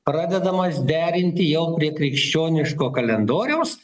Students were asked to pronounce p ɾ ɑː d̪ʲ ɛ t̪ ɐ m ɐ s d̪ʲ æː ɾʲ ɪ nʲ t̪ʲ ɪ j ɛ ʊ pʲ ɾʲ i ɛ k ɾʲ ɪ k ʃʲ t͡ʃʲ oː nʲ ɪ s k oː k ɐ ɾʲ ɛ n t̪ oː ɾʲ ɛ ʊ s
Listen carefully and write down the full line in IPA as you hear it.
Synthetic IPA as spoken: p ɾ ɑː d̪ʲ ɛ d̪ ɐ m ɐ s d̪ʲ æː ɾʲ ɪ nʲ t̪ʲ ɪ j ɛ ʊ pʲ ɾʲ i ɛ k ɾʲ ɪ k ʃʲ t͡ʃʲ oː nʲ ɪ ʃ k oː k ɐ lʲ ɛ n d̪ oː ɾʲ ɛ ʊ s